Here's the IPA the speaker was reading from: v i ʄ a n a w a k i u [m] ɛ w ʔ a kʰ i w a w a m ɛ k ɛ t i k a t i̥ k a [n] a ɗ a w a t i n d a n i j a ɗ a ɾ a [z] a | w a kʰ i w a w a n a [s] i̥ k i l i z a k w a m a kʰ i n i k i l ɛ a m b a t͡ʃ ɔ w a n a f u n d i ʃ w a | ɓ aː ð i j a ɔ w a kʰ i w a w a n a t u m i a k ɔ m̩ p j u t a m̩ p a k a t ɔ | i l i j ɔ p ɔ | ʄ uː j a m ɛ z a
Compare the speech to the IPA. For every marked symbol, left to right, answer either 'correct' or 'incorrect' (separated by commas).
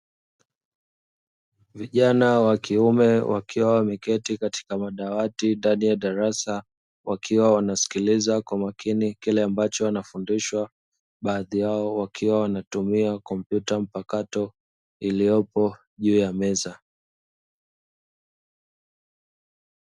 correct, incorrect, incorrect, correct